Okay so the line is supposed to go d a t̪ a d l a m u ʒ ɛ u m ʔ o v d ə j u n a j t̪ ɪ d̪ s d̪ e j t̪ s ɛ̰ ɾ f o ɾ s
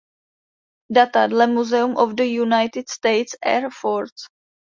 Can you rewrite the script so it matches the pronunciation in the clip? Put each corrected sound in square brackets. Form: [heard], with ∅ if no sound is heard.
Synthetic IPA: d a t̪ a d l [ɛ] m u [z] ɛ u m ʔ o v d ə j u n a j t̪ ɪ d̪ s [t̪] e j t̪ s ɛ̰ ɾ f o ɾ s

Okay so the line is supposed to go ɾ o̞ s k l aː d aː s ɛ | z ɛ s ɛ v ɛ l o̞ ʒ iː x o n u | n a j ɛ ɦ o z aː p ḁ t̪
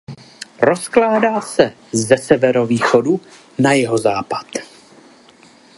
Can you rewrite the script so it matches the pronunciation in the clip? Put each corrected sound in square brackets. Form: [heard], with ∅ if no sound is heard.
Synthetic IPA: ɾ o̞ s k l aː d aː s ɛ | z ɛ s ɛ v ɛ [ɾ] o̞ [v] iː x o [d] u | n a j ɛ ɦ o z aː p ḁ t̪

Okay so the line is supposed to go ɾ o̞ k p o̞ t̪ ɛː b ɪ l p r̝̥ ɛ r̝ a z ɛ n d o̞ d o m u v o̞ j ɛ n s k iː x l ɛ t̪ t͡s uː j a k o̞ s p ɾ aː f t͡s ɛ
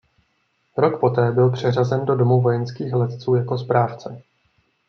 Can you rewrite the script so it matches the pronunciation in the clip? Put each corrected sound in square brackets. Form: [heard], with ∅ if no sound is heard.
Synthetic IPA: ɾ o̞ k p o̞ t̪ ɛː b ɪ l p r̝̥ ɛ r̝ a z ɛ n d o̞ d o m u v o̞ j ɛ n s k iː x l ɛ t̪ t͡s uː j a k o̞ s p ɾ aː f t͡s ɛ

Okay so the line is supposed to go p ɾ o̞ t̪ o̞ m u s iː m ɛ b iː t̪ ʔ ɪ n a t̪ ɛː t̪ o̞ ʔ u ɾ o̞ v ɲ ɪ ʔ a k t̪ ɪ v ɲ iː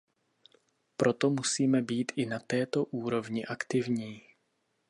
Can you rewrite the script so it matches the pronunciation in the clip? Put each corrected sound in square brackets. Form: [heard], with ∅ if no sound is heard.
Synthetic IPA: p ɾ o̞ t̪ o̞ m u s iː m ɛ b iː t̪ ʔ ɪ n a t̪ ɛː t̪ o̞ ʔ [uː] ɾ o̞ v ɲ ɪ ʔ a k t̪ ɪ v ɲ iː

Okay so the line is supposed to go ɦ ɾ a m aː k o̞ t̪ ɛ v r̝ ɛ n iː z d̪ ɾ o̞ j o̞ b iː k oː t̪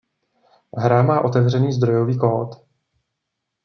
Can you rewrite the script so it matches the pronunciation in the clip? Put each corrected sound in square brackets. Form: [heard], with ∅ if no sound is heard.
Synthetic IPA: ɦ ɾ a m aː [ʔ] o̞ t̪ ɛ v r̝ ɛ n iː z d̪ ɾ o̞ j o̞ [v] iː k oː t̪

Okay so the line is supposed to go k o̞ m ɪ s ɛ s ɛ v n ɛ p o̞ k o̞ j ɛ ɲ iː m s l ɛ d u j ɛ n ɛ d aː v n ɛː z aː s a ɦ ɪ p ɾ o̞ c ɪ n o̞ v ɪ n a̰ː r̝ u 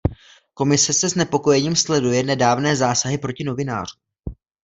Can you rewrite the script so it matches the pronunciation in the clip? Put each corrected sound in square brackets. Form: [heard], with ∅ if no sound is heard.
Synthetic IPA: k o̞ m ɪ s ɛ s ɛ [z] n ɛ p o̞ k o̞ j ɛ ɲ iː m s l ɛ d u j ɛ n ɛ d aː v n ɛː z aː s a ɦ ɪ p ɾ o̞ c ɪ n o̞ v ɪ n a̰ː r̝ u

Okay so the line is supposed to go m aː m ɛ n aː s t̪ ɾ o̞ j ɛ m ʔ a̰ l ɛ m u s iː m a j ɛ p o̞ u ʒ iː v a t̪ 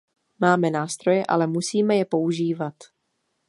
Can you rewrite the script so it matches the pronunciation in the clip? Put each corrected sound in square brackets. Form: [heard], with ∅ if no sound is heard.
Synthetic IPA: m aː m ɛ n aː s t̪ ɾ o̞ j ɛ [∅] ʔ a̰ l ɛ m u s iː m [ɛ] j ɛ p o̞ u ʒ iː v a t̪

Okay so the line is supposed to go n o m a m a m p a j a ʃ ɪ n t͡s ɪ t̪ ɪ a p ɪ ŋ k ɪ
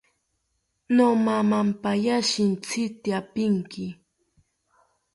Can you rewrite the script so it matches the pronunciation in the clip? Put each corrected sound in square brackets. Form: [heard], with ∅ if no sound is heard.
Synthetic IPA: n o m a m a m p a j a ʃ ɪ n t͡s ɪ t̪ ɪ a p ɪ ŋ k ɪ

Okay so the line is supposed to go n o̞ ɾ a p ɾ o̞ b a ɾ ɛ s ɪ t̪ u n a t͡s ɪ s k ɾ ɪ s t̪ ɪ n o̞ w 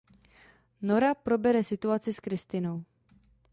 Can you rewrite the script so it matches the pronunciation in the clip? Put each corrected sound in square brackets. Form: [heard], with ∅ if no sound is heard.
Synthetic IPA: n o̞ ɾ a p ɾ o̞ b [ɛ] ɾ ɛ s ɪ t̪ u [∅] a t͡s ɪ s k ɾ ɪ s t̪ ɪ n o̞ w

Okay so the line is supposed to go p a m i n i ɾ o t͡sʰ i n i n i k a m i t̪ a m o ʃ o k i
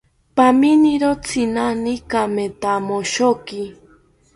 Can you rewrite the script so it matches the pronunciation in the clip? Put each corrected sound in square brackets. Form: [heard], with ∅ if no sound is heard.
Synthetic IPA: p a m i n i ɾ o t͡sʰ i n [a] n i k a m [e] t̪ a m o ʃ o k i

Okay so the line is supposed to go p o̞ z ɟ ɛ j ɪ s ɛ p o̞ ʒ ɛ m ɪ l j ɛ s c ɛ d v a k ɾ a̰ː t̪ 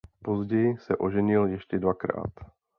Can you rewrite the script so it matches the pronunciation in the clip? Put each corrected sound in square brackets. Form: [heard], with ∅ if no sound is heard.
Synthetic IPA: p o̞ z ɟ ɛ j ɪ s ɛ [ʔ] o̞ ʒ ɛ [ɲ] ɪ l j ɛ [ʃ] c ɛ d v a k ɾ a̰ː t̪

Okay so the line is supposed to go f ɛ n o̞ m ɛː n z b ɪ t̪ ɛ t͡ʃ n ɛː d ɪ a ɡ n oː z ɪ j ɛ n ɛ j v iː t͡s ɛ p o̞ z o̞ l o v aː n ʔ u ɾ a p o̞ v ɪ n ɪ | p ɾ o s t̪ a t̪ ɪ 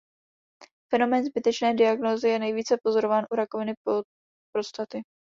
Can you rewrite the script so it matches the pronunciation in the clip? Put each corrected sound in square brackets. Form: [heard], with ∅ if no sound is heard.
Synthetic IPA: f ɛ n o̞ m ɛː n z b ɪ t̪ ɛ t͡ʃ n ɛː d ɪ a ɡ n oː z ɪ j ɛ n ɛ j v iː t͡s ɛ p o̞ z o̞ [ɾ] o v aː n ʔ u ɾ a [k] o̞ v ɪ n ɪ | p ɾ o s t̪ a t̪ ɪ

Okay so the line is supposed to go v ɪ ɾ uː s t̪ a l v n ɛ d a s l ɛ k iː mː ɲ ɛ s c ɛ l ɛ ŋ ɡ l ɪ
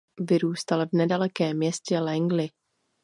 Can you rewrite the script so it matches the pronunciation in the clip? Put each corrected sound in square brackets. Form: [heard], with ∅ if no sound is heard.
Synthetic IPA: v ɪ ɾ uː s t̪ a l v n ɛ d a [∅] l ɛ k [ɛː] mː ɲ ɛ s c ɛ l ɛ ŋ ɡ l ɪ

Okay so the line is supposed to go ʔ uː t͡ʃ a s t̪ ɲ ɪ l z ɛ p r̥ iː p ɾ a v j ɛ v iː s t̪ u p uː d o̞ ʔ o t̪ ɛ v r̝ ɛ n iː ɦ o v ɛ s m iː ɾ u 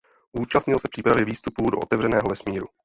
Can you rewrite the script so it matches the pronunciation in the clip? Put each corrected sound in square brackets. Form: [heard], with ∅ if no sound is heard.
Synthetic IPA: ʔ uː t͡ʃ a s t̪ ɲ ɪ l [s] ɛ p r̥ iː p ɾ a v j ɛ v iː s t̪ u p uː d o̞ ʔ o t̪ ɛ v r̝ ɛ n [ɛː] ɦ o v ɛ s m iː ɾ u

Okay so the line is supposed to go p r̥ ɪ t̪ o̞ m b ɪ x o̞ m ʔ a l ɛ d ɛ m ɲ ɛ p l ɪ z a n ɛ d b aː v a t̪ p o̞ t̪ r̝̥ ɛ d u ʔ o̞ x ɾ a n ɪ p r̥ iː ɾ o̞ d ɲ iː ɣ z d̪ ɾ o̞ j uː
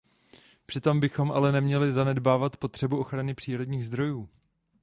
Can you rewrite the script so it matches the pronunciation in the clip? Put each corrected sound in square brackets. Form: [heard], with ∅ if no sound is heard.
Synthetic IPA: p r̥ ɪ t̪ o̞ m b ɪ x o̞ m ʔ a l ɛ [n] ɛ m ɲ ɛ [∅] l ɪ z a n ɛ d b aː v a t̪ p o̞ t̪ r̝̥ ɛ [b] u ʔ o̞ x ɾ a n ɪ p r̥ iː ɾ o̞ d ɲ iː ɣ z d̪ ɾ o̞ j uː

